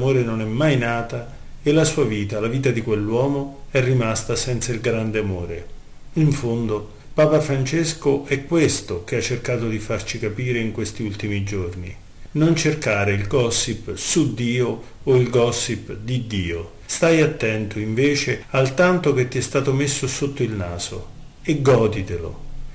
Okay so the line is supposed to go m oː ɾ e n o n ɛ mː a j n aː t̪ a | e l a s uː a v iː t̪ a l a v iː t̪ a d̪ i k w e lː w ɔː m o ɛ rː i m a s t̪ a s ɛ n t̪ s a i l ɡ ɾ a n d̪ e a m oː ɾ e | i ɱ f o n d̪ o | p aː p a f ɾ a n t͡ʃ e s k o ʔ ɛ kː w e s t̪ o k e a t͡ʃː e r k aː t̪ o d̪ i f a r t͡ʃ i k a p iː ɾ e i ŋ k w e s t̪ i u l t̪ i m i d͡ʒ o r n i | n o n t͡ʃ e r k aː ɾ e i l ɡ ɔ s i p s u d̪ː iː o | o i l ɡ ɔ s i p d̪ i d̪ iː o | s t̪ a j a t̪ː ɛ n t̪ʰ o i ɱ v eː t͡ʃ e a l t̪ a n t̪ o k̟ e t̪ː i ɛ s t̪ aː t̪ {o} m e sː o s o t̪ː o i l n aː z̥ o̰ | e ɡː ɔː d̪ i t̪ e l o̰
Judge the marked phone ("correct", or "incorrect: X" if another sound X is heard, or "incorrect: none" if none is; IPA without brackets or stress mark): correct